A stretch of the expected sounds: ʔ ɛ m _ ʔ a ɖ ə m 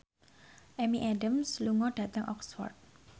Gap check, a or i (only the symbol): i